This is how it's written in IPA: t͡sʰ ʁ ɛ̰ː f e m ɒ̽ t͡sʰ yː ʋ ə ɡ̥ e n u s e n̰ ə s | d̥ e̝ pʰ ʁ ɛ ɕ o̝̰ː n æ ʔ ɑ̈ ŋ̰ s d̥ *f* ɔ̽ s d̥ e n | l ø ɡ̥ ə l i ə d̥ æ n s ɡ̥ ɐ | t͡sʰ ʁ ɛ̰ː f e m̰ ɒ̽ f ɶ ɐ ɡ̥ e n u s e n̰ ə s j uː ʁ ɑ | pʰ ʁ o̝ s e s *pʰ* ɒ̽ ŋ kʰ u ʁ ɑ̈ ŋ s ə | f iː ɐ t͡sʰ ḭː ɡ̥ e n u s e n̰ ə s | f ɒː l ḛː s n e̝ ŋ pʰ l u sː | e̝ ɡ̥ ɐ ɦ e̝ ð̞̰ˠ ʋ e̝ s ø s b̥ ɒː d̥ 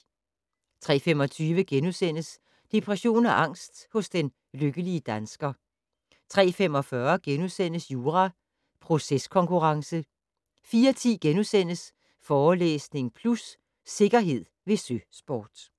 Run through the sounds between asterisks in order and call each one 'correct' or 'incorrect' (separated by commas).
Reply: incorrect, incorrect